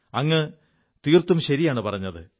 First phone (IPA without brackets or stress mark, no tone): ɐ